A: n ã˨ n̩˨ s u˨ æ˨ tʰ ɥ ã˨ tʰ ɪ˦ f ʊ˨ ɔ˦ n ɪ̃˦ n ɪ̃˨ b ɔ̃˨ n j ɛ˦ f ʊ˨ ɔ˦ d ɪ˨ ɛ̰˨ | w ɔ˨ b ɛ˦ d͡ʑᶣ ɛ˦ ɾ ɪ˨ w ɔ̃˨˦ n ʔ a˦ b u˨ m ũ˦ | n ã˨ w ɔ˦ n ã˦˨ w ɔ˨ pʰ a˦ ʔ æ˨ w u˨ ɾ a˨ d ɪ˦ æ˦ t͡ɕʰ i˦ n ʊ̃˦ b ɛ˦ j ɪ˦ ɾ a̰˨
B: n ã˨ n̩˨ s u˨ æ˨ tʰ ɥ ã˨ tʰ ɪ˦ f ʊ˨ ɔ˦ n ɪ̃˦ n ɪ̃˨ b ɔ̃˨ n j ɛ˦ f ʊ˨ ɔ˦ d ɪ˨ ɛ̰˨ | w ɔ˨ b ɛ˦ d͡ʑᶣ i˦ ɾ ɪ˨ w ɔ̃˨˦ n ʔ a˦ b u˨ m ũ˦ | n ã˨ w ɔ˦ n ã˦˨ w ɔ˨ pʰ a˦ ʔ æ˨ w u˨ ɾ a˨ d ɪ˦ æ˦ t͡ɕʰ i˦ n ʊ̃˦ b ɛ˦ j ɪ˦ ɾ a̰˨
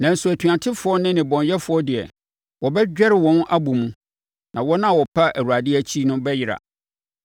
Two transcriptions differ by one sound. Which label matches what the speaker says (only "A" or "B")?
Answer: A